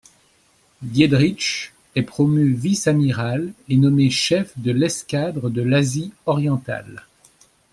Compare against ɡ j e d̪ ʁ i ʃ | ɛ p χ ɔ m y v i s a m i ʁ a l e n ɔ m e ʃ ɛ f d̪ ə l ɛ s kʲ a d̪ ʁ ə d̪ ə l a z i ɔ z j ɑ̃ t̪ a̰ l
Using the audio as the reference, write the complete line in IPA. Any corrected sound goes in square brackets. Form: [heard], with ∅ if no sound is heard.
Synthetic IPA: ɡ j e d̪ ʁ i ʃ | ɛ p χ ɔ m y v i s a m i ʁ a l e n ɔ m e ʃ ɛ f d̪ ə l ɛ s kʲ a d̪ ʁ ə d̪ ə l a z i ɔ [ʁ] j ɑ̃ t̪ a̰ l